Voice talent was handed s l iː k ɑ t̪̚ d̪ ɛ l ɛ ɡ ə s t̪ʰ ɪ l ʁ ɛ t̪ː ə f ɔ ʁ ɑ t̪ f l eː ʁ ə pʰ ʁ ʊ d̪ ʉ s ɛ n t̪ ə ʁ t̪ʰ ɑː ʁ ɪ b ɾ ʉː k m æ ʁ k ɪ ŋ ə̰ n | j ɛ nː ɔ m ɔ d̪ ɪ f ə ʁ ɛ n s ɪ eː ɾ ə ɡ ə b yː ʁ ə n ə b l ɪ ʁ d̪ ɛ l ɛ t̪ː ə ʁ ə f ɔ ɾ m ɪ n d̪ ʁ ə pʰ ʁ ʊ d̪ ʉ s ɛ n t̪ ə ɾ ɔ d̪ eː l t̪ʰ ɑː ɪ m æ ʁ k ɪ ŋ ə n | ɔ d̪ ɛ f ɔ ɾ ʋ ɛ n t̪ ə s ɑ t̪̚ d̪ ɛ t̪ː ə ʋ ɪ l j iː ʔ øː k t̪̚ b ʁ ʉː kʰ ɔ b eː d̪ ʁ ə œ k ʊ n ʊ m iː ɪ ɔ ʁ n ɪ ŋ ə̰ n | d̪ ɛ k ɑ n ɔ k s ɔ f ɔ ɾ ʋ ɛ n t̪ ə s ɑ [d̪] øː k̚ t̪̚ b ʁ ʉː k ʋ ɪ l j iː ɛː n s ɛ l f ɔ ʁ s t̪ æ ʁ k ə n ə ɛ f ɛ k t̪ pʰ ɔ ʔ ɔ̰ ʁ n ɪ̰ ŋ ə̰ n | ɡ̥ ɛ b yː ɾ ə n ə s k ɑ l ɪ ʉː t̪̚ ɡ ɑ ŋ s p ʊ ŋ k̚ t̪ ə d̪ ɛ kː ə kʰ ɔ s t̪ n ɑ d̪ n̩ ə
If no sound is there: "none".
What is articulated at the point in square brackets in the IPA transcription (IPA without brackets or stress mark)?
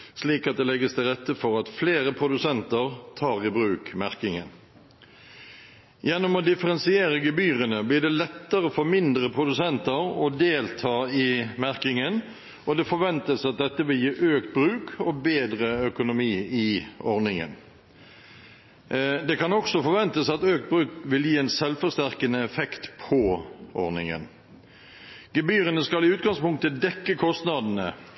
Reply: t̪